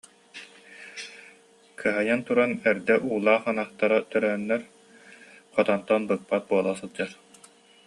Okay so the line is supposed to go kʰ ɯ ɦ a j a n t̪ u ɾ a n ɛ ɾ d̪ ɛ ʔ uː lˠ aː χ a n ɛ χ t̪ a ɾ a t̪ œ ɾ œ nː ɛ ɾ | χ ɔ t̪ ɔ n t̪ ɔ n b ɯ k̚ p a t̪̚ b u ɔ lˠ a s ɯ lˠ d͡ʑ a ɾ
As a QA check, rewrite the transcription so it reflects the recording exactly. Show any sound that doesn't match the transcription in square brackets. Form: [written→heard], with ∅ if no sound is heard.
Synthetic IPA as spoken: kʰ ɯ ɦ a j a n t̪ u ɾ a n ɛ ɾ d̪ ɛ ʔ uː lˠ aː χ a n [ɛ→a] χ t̪ a ɾ a t̪ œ ɾ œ nː ɛ ɾ | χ ɔ t̪ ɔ n t̪ ɔ n b ɯ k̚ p a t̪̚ b u ɔ lˠ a s ɯ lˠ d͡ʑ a ɾ